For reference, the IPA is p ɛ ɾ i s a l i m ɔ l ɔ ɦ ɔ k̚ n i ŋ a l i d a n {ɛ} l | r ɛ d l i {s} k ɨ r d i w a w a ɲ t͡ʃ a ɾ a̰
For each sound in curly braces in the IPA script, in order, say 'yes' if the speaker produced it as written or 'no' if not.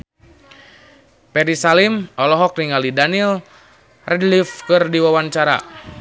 no, no

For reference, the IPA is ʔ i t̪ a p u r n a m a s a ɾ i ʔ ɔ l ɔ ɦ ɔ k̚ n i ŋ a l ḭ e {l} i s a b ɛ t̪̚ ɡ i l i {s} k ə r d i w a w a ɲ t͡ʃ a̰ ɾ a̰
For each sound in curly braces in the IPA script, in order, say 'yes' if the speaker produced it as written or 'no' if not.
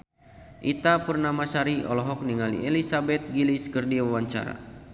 yes, yes

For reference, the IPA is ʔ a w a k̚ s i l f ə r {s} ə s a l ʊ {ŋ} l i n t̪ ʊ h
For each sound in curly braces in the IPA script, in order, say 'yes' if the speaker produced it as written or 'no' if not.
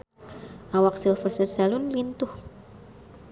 yes, no

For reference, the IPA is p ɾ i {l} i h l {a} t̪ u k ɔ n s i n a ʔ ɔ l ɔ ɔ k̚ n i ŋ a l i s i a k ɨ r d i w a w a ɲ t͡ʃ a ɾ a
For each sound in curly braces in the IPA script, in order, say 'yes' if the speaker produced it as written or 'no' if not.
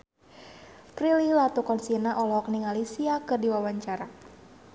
yes, yes

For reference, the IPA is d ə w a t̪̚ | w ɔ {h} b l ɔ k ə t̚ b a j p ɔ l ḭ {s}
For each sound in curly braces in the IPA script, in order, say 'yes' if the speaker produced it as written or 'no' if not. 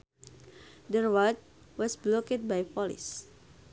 no, yes

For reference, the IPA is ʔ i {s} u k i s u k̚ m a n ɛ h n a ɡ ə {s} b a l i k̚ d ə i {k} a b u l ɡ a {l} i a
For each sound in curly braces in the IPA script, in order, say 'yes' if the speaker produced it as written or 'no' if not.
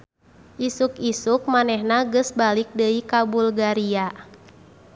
yes, yes, yes, no

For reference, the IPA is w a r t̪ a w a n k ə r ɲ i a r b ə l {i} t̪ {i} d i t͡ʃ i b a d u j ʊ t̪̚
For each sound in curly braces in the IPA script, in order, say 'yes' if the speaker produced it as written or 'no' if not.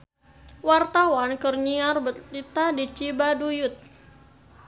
yes, no

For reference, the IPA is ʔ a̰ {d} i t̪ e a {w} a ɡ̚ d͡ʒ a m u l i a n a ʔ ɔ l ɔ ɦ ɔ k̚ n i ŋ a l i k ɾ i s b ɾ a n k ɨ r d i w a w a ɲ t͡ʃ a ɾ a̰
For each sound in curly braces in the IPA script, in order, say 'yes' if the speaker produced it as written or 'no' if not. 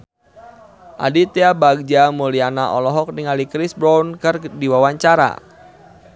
yes, no

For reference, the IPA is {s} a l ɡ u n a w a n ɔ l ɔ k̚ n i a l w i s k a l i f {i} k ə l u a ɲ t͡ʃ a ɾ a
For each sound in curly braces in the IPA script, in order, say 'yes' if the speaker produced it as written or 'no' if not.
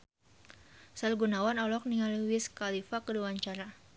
yes, no

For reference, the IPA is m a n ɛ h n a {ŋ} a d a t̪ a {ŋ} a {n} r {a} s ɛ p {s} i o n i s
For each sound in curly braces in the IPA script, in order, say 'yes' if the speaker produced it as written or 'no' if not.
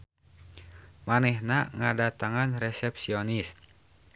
yes, yes, yes, no, yes

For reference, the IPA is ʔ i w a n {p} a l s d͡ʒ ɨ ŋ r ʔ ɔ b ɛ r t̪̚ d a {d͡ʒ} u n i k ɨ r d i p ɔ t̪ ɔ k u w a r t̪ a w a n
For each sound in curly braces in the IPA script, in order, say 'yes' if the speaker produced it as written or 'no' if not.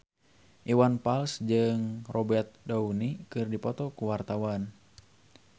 yes, no

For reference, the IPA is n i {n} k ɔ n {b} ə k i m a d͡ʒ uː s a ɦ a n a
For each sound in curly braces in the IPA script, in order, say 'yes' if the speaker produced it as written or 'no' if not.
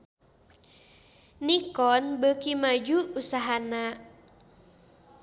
no, yes

